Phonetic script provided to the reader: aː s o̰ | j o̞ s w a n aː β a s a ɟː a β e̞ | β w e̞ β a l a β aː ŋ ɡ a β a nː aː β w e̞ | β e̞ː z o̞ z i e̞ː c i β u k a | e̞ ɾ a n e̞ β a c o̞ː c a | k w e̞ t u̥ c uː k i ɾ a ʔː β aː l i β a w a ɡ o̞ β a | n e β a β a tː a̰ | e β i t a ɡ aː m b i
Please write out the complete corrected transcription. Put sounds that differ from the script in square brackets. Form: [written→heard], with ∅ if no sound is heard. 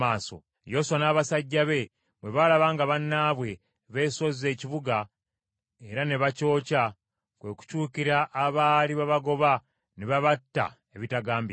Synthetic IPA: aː s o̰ | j o̞ s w a n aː β a s a ɟː a β e̞ | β w e̞ β a l a β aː ŋ ɡ a β a nː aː β w e̞ | β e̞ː [z→s] o̞ z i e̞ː c i β u [k→ɡ] a | e̞ ɾ a n e̞ β a c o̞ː c a | k w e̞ [t→k] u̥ c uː k i ɾ a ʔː β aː l i β a [w→β] a ɡ o̞ β a | n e β a β a tː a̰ | e β i t a ɡ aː m b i